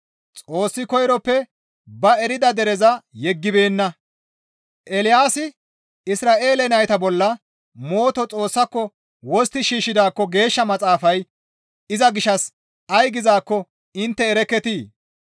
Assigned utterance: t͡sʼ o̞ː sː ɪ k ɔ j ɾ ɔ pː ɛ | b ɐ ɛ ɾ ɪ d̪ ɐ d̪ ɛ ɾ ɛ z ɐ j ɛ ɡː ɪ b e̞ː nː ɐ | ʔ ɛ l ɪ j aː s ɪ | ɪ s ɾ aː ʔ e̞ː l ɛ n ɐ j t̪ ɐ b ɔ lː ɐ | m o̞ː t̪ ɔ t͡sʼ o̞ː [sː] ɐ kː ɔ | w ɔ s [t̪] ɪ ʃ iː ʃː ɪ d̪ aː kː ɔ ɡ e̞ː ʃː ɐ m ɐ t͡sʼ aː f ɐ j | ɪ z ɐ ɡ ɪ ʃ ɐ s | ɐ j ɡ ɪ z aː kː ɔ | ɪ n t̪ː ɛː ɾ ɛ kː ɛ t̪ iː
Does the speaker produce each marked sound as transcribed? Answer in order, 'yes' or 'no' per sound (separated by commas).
yes, yes